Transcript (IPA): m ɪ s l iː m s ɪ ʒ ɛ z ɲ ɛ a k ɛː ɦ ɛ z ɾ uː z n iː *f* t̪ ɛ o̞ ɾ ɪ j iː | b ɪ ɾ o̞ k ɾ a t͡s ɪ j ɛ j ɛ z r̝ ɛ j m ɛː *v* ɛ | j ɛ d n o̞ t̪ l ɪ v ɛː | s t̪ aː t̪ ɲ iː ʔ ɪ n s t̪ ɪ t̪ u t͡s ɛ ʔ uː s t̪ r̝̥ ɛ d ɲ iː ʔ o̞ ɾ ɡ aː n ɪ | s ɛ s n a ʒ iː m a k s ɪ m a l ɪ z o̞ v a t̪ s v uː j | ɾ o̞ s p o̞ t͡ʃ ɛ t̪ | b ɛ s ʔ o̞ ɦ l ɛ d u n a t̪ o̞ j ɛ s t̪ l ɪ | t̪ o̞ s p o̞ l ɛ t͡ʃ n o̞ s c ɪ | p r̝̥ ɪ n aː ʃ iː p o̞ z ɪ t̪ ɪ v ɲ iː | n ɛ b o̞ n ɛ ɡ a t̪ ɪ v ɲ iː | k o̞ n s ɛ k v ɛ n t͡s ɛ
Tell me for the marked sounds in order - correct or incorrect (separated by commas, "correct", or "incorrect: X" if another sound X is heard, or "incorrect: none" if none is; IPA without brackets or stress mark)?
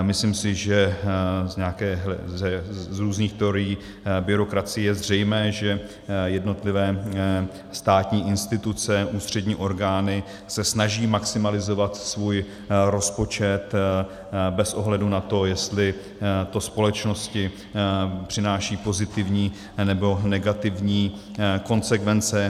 incorrect: x, incorrect: ʒ